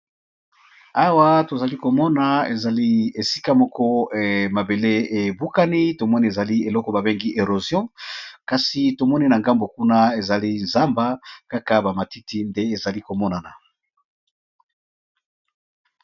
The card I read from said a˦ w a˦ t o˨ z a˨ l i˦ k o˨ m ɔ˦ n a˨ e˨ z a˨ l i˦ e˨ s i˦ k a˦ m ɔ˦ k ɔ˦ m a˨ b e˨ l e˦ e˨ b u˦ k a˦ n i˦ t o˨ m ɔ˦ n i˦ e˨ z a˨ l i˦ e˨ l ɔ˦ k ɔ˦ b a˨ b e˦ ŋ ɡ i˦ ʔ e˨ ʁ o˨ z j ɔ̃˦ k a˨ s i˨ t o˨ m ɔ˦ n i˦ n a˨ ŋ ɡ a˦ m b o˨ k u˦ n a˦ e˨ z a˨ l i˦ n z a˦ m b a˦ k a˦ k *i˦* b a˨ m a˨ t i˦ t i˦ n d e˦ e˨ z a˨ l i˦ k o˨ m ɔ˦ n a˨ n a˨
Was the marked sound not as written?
yes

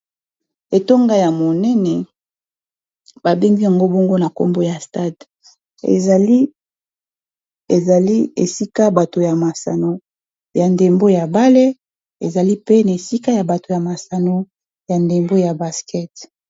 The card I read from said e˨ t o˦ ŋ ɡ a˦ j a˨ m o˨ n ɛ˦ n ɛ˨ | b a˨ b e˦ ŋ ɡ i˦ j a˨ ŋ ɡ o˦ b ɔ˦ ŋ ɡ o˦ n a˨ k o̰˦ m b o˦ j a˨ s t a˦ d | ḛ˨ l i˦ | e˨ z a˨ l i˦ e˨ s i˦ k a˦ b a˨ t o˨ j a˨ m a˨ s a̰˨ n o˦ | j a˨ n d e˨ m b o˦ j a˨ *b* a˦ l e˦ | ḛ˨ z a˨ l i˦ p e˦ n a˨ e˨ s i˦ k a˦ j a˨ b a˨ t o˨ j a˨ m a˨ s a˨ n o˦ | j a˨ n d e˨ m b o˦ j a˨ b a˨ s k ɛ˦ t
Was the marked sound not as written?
no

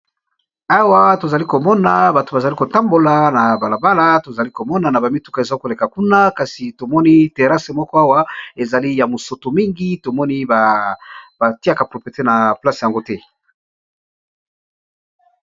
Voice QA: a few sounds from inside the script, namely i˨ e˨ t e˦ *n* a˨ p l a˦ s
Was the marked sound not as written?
no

